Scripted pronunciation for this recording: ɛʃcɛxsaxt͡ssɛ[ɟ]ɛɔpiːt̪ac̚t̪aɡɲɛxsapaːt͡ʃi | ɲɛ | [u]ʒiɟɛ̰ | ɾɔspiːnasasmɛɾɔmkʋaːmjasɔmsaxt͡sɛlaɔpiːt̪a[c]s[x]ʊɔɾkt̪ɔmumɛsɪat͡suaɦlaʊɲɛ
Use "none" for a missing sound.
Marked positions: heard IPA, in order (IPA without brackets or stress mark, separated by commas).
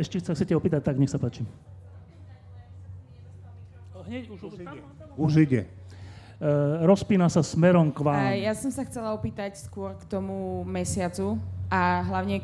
c, u, c, k